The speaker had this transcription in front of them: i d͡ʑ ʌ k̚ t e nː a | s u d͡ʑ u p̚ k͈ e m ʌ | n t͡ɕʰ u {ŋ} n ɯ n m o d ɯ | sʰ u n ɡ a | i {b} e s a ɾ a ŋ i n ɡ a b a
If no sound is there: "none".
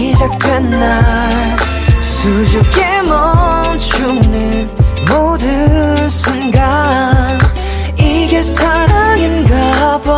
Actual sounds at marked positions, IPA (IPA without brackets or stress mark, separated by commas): ŋ, ɡ